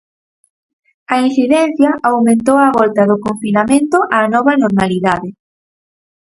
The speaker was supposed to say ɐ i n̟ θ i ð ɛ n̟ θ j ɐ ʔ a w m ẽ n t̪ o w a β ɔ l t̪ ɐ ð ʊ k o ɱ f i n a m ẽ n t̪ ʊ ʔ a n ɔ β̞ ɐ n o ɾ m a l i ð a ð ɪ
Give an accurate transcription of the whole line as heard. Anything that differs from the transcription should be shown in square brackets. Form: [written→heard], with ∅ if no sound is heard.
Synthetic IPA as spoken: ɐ i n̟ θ i ð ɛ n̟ θ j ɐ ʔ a w m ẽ n t̪ o w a β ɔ l t̪ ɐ ð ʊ k o ɱ f i n a m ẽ n t̪ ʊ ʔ a n ɔ β̞ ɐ n o ɾ m a l i ð a ð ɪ